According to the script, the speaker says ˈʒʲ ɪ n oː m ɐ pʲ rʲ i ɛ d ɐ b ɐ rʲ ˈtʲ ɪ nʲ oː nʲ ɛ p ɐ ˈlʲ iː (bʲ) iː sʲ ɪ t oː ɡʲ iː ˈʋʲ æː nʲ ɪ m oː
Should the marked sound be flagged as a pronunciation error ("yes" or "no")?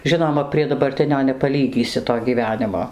yes